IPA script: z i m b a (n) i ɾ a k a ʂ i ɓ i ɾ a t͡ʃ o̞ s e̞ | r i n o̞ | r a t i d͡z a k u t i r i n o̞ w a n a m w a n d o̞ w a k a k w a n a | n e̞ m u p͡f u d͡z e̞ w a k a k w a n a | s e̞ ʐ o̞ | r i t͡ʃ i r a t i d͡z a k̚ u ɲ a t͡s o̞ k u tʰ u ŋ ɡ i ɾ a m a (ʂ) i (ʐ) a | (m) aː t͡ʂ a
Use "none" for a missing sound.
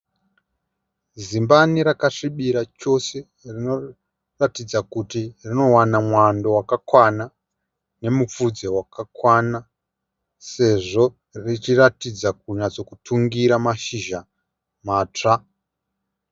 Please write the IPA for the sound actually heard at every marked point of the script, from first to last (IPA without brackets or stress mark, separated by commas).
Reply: n, ʃ, ʒ, m